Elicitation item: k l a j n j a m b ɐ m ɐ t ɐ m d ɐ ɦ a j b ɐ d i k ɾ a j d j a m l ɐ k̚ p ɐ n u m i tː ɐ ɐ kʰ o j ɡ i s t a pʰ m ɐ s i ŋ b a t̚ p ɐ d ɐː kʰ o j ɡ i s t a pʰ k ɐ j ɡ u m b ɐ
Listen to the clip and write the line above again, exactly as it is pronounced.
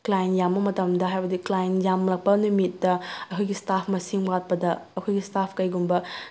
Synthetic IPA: k l a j n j a m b ɐ m ɐ t ɐ m d ɐ ɦ a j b ɐ d i k l a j n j a m l ɐ k̚ p ɐ n u m i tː ɐ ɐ kʰ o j ɡ i s t a pʰ m ɐ s i ŋ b a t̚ p ɐ d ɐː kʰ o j ɡ i s t a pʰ k ɐ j ɡ u m b ɐ